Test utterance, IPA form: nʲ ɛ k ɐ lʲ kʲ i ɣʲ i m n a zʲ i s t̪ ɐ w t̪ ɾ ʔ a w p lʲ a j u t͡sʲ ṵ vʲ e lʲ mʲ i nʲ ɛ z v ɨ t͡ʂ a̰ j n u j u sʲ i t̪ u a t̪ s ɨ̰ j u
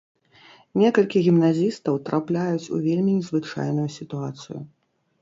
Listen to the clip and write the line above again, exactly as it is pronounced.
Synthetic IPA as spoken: nʲ ɛ k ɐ lʲ kʲ i ɣʲ i m n a zʲ i s t̪ ɐ w t̪ ɾ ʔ a p lʲ a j u t͡sʲ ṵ vʲ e lʲ mʲ i nʲ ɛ z v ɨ t͡ʂ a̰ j n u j u sʲ i t̪ u a t̪ s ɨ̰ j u

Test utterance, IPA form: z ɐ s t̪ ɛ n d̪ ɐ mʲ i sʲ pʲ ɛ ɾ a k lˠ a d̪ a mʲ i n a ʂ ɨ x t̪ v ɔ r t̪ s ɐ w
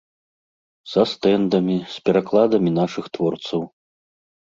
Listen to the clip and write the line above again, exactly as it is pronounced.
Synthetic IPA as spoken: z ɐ s t̪ ɛ n d̪ ɐ mʲ i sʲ pʲ ɛ ɾ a k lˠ a d̪ ɐ mʲ i n a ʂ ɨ x t̪ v ɔ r t̪ s ɐ w

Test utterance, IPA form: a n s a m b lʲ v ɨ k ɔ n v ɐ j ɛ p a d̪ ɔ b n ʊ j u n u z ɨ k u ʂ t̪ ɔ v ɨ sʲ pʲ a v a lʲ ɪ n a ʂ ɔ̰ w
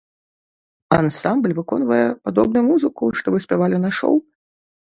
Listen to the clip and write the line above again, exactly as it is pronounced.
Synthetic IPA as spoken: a n s a m b lʲ v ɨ k ɔ n v ɐ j ɛ p a d̪ ɔ b n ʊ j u m u z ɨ k u ʂ t̪ ɔ v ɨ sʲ pʲ a v a lʲ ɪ n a ʂ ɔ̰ w

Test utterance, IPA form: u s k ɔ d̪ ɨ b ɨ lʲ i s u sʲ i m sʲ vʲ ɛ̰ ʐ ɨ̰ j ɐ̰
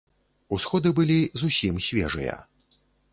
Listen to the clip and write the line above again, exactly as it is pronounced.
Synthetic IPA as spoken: u s x ɔ d̪ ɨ b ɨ lʲ i z u sʲ i m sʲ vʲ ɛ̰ ʐ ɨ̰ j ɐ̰

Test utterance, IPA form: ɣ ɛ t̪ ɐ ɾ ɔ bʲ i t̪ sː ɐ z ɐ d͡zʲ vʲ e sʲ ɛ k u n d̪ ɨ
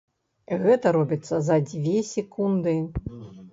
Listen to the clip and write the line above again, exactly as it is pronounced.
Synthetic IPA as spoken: ɣ ɛ t̪ ɐ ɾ ɔ bʲ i t̪ sː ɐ z ɐ d͡zʲ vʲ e sʲ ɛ k u n d̪ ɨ

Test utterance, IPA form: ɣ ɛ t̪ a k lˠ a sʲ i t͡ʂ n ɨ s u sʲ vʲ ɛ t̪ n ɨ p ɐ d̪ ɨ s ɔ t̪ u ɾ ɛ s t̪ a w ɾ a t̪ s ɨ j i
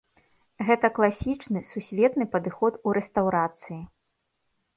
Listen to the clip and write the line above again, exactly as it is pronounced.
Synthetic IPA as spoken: ɣ ɛ t̪ ɐ k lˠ a sʲ i t͡ʂ n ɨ s u sʲ vʲ ɛ t̪ n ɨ p ɐ d̪ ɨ x ɔ t̪ u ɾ ɛ s t̪ a w ɾ a t̪ s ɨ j i

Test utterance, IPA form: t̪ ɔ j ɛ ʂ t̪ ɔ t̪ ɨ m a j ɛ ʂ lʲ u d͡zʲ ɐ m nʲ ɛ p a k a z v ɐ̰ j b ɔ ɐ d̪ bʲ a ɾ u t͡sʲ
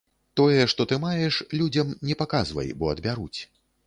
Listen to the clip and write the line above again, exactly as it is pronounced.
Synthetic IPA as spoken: t̪ ɔ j ɛ ʂ t̪ ɔ t̪ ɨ m a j ɛ ʂ lʲ u d͡zʲ ɐ m nʲ ɛ p a k a z v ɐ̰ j b ɔ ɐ d̪ bʲ a ɾ u t͡sʲ

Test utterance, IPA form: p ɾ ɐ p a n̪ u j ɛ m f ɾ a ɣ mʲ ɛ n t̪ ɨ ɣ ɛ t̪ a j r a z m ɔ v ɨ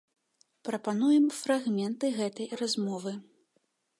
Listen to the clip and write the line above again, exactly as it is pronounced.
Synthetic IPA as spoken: p ɾ ɐ p a n̪ u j ɛ m f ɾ a ɣ mʲ ɛ n t̪ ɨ ɣ ɛ t̪ ɐ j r a z m ɔ v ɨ

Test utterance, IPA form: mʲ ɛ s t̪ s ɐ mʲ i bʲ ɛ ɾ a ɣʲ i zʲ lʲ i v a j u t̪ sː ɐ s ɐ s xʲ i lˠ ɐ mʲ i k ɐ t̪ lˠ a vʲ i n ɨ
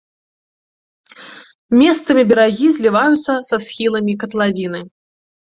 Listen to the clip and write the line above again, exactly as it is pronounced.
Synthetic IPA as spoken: mʲ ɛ s t̪ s ɐ mʲ i bʲ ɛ ɾ a ɣʲ i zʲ lʲ i v a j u t̪ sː ɐ s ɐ s xʲ i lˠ ɐ mʲ i k ɐ t̪ lˠ a vʲ i n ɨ

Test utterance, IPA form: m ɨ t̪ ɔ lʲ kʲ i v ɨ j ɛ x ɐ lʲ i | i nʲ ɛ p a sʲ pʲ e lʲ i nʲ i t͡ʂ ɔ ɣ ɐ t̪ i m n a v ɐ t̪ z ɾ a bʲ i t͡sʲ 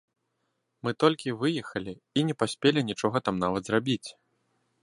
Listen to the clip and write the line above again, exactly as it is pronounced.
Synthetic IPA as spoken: m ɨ t̪ ɔ lʲ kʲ i v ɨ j ɛ x ɐ lʲ i | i nʲ ɛ p a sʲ pʲ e lʲ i nʲ i t͡ʂ ɔ ɣ ɐ t̪ a m n a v ɐ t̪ z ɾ a bʲ i t͡sʲ

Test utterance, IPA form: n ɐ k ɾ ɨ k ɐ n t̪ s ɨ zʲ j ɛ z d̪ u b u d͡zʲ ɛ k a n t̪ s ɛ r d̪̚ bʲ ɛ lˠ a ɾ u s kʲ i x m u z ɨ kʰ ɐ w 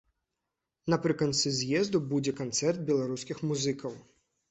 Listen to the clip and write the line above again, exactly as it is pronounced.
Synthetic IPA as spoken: n ɐ p ɾ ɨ k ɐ n t̪ s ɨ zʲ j ɛ z d̪ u b u d͡zʲ ɛ k a n t̪ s ɛ r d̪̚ bʲ ɛ lˠ a ɾ u s kʲ i x m u z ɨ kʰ ɐ w

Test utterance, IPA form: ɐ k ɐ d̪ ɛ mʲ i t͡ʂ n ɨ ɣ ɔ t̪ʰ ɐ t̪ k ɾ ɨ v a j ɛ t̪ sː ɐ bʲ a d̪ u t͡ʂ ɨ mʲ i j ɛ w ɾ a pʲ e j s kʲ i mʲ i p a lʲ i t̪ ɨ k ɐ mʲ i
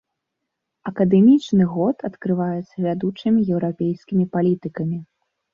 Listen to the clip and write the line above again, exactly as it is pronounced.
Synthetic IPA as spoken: ɐ k ɐ d̪ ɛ mʲ i t͡ʂ n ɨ ɣ ɔ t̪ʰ ɐ t̪ k ɾ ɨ v a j ɛ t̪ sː ɐ vʲ a d̪ u t͡ʂ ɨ mʲ i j ɛ w ɾ a pʲ e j s kʲ i mʲ i p a lʲ i t̪ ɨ k ɐ mʲ i

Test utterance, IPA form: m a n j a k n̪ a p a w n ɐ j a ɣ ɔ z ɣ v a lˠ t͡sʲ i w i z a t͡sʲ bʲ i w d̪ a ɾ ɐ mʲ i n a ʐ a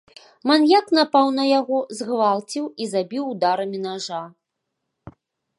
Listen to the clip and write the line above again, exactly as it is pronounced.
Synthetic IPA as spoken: m a n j a k n̪ a p a w n ɐ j a ɣ ɔ z ɣ v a lˠ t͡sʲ i w i z a bʲ i w d̪ a ɾ ɐ mʲ i n a ʐ a

